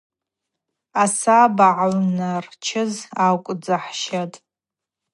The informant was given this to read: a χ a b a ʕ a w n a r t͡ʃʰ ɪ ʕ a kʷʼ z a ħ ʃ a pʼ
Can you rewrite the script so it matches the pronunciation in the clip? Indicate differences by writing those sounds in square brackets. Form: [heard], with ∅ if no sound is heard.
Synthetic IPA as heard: a [s] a b a ʕ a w n a r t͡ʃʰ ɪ [z] a kʷʼ [d͡z] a ħ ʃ a [tʼ]